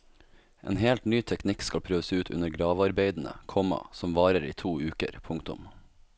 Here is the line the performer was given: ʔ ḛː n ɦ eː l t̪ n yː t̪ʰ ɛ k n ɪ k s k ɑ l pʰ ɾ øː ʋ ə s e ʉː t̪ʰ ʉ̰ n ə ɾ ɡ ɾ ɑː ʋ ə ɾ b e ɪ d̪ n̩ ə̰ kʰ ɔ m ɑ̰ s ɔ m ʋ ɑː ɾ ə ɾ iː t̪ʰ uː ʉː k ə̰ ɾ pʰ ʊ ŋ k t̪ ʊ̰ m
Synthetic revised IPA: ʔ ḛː n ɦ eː l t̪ n yː t̪ʰ ɛ k n ɪ k s k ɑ l pʰ ɾ øː ʋ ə s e ʉː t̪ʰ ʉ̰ n ə ɾ ɡ ɾ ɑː ʋ ɑ ɾ b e ɪ d̪ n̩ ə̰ kʰ ɔ m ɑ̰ s ɔ m ʋ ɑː ɾ ə ɾ iː t̪ʰ uː ʉː k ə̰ ɾ pʰ ʊ ŋ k t̪ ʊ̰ m